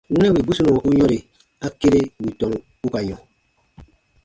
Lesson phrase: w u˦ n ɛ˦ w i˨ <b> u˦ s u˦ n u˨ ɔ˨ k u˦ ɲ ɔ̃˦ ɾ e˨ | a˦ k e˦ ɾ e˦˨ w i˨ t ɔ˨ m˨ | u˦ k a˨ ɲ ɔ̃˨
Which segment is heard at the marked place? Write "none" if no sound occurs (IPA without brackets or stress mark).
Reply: b